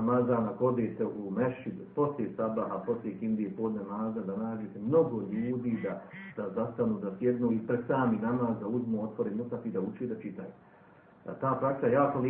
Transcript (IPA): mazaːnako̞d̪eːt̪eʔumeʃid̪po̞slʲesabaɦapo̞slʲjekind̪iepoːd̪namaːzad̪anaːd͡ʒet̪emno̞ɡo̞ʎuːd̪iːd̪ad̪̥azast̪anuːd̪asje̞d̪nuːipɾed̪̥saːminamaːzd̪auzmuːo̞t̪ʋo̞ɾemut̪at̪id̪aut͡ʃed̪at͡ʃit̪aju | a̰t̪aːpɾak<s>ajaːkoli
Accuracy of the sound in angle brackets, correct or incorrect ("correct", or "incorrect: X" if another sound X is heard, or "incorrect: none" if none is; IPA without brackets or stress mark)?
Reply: correct